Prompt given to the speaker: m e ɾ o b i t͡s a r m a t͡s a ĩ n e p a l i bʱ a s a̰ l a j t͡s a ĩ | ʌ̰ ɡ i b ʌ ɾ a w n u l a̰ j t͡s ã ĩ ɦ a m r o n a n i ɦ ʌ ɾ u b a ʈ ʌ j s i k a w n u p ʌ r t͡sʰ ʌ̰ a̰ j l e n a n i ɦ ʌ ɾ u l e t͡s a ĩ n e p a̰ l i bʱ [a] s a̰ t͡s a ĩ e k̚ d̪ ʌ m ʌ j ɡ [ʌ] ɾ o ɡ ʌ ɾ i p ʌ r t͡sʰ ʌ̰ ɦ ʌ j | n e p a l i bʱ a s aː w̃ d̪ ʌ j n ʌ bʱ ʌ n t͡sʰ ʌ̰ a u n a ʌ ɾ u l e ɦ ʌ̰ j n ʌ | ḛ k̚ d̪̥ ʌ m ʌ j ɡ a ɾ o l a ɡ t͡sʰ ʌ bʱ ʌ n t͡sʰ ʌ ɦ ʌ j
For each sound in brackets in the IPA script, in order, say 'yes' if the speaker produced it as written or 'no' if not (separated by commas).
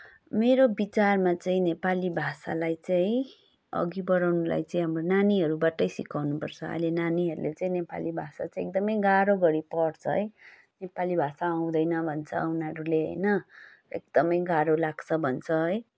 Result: yes, no